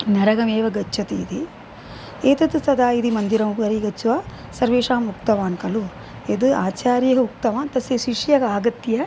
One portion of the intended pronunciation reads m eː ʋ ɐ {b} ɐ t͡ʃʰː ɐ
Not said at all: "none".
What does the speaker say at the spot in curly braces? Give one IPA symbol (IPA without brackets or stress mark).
ɡ